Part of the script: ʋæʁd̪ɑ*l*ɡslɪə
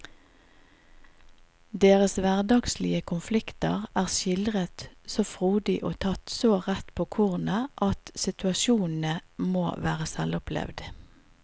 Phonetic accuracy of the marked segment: incorrect: none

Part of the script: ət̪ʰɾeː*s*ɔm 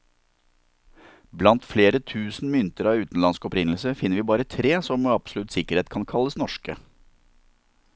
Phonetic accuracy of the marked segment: correct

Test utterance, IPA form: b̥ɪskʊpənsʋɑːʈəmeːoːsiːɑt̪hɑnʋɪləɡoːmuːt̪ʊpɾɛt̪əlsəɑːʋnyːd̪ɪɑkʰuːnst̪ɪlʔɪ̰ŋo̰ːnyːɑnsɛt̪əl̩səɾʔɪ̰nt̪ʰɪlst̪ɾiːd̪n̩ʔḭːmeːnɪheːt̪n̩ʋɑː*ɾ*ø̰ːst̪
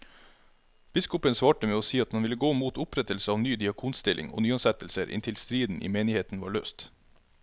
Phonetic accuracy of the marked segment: incorrect: ɭ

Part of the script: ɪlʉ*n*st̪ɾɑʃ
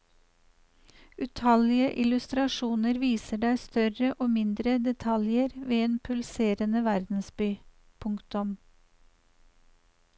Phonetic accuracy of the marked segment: incorrect: none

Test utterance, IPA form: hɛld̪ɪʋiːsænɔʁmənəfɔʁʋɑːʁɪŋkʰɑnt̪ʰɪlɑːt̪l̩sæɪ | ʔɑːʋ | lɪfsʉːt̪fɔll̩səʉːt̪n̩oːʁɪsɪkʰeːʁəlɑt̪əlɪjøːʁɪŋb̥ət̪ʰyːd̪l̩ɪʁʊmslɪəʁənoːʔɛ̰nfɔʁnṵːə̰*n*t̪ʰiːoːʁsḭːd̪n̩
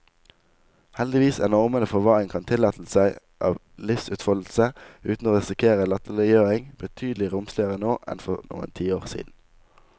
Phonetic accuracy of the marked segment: correct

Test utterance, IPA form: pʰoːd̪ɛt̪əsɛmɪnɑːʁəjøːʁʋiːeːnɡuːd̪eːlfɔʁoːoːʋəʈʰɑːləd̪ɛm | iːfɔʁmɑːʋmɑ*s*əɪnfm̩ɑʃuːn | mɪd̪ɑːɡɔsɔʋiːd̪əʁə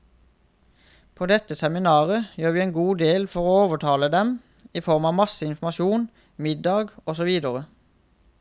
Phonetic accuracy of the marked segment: correct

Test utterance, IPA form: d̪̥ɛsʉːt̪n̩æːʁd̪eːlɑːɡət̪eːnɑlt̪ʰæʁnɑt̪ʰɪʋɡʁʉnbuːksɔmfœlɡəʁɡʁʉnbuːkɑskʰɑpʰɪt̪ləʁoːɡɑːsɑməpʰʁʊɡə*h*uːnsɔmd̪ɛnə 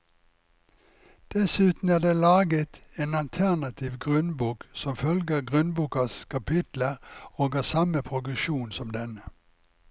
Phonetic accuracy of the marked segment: incorrect: ʃ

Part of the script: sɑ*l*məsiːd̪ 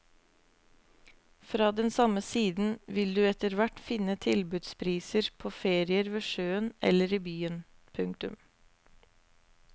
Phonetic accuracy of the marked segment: incorrect: none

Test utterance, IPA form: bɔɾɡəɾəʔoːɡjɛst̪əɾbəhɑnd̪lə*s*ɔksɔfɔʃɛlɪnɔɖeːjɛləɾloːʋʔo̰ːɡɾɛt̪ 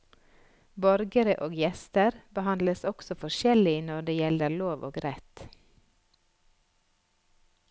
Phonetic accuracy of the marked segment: correct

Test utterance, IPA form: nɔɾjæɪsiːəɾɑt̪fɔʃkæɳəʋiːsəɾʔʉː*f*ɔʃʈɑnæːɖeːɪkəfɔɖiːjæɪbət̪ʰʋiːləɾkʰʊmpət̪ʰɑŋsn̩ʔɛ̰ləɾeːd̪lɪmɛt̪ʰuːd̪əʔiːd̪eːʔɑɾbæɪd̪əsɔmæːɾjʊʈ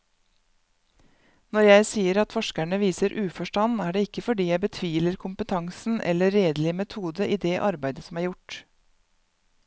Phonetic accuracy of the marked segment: correct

